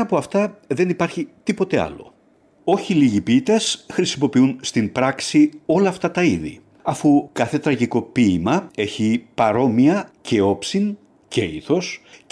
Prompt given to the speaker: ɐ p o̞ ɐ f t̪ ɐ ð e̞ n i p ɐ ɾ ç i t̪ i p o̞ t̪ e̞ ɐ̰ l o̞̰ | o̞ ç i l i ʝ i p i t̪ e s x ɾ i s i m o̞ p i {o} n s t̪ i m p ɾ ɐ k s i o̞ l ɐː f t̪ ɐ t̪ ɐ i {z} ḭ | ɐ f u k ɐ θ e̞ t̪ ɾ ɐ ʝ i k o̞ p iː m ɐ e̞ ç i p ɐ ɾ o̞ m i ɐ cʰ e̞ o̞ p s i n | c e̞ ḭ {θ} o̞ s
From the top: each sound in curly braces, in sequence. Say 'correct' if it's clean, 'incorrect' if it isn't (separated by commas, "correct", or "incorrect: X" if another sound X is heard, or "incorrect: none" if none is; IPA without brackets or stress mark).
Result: incorrect: u, incorrect: ð, correct